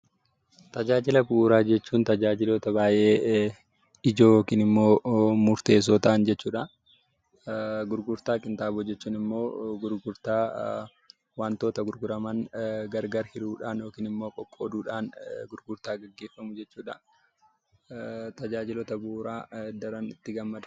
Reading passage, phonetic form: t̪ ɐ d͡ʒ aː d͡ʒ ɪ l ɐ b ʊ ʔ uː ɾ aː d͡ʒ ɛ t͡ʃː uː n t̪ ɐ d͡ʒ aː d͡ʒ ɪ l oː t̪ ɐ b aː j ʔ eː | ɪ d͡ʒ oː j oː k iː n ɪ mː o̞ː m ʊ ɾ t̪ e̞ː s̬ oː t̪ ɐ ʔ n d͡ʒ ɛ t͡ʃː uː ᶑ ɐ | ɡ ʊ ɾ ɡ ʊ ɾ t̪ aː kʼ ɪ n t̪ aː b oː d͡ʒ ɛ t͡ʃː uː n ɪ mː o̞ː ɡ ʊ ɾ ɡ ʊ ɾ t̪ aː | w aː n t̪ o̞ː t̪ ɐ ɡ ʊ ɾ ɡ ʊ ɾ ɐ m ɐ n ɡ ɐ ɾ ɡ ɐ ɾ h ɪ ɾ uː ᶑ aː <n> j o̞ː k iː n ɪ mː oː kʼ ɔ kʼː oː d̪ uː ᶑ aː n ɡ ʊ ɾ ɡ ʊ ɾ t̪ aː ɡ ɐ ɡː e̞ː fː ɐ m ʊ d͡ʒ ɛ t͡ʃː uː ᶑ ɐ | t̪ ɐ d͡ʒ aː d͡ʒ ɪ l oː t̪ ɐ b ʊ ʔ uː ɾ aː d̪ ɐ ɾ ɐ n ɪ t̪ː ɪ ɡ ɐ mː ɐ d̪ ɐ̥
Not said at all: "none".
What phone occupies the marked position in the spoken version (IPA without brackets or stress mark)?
n